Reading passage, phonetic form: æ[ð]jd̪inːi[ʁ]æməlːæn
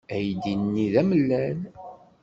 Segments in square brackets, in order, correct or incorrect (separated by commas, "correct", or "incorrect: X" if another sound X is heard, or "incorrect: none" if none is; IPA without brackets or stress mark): incorrect: none, incorrect: ð